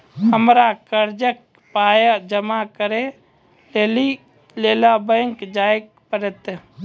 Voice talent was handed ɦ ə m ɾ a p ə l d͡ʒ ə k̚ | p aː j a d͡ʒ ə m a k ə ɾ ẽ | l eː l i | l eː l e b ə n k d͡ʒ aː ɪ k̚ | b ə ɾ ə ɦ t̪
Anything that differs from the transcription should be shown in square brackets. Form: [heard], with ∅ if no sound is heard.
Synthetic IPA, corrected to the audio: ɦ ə m ɾ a [k] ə [ɾ] d͡ʒ ə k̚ | p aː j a d͡ʒ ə m a k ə ɾ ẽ | l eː l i | l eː l [a] b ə [ŋ] k d͡ʒ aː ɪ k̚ | [p] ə ɾ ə [∅] t̪